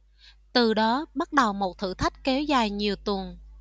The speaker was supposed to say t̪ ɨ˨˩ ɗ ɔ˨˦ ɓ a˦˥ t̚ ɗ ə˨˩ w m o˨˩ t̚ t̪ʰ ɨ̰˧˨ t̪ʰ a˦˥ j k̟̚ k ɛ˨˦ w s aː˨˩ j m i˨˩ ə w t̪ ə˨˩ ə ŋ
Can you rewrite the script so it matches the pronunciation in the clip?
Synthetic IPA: t̪ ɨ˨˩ ɗ ɔ˨˦ ɓ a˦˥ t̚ ɗ ə˨˩ w m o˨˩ t̚ t̪ʰ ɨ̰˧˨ t̪ʰ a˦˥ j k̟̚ k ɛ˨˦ w z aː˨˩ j ɲ i˨˩ ə w t̪ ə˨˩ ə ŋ

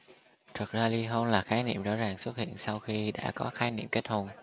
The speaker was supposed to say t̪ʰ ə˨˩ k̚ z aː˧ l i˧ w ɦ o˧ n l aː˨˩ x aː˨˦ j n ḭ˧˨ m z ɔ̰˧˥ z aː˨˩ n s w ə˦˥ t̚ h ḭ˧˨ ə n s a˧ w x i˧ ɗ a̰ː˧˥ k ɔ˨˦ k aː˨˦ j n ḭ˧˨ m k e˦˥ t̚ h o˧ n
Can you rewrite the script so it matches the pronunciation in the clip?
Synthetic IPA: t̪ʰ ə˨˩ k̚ z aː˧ l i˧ ɦ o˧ n l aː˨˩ x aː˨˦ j n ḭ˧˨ m z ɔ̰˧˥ z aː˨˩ ŋ s w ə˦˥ t̚ h ḭ˧˨ ə n s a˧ w x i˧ ɗ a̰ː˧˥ k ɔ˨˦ x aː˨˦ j n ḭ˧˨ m k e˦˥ t̚ h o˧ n

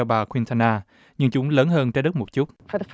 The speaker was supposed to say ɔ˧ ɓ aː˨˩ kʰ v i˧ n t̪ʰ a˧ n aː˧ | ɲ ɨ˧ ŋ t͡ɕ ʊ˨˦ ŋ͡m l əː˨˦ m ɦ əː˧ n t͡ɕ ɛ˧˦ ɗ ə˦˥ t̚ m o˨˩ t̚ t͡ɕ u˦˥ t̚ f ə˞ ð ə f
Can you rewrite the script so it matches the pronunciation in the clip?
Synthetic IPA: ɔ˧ ɓ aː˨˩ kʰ w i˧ n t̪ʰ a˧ n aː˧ | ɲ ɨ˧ ŋ t͡ɕ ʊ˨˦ ŋ͡m l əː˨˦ n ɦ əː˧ n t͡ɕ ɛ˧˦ ɗ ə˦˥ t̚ m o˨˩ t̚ t͡ɕ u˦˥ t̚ f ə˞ ð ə f

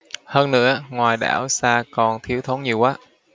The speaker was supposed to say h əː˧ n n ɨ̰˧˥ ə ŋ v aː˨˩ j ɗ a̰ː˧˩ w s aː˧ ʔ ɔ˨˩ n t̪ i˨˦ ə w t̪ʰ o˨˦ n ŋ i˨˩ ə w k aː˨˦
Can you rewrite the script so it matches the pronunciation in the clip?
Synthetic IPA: h əː˧ n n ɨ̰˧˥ ə ŋ w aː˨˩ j ɗ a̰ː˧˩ w s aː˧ k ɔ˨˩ n t̪ʰ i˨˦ ə w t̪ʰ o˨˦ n ɲ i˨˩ ə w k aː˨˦

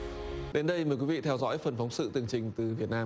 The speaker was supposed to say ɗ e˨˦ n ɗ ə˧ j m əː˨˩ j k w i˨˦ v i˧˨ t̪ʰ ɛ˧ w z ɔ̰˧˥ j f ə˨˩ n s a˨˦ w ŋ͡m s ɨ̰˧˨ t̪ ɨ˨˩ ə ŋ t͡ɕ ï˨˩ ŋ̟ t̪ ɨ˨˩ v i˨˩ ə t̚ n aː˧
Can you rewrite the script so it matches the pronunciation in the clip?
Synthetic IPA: ɗ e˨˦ n ɗ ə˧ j m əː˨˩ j k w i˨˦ v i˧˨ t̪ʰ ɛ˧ w z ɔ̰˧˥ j f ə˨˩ n f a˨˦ w ŋ͡m s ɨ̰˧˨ t̪ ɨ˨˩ ə ŋ t͡ɕ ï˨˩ ŋ̟ t̪ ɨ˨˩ v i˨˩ ə t̚ n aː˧

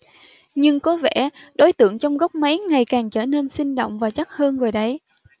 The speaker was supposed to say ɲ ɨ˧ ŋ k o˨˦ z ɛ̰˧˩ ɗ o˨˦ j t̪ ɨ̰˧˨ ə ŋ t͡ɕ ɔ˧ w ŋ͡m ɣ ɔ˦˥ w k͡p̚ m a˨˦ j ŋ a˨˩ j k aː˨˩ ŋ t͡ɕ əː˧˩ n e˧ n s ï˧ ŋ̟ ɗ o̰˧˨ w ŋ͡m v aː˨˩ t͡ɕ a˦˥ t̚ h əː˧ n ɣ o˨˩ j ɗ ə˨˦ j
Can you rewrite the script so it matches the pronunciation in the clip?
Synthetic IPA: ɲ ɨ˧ ŋ k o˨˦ v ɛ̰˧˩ ɗ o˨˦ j t̪ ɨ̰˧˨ ə ŋ t͡ɕ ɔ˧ w ŋ͡m ɣ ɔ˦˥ w k͡p̚ m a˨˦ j ŋ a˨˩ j k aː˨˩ ŋ t͡ɕ əː˧˩ n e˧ n s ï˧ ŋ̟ ɗ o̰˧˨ w ŋ͡m v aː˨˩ t͡ɕ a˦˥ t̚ h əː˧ n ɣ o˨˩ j ɗ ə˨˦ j

